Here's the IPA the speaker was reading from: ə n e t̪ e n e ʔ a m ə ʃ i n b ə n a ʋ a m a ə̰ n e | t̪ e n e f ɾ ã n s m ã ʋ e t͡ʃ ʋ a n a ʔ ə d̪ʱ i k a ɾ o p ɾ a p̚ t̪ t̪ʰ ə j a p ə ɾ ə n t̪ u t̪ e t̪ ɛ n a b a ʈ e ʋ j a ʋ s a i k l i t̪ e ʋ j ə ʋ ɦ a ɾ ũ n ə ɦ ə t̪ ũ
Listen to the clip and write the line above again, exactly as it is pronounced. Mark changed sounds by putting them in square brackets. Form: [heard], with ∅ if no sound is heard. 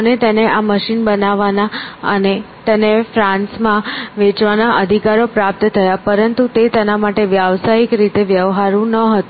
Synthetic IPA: ə n e t̪ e n e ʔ a m ə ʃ i n b ə n a ʋ a [n] a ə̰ n e | t̪ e n e f ɾ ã n s m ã ʋ e t͡ʃ ʋ a n a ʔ ə d̪ʱ i k a ɾ o p ɾ a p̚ t̪ t̪ʰ ə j a p ə ɾ ə n t̪ u t̪ e t̪ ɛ n a [m] a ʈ e ʋ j a ʋ s a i k [ɾ] i t̪ e ʋ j ə ʋ ɦ a ɾ ũ n ə ɦ ə t̪ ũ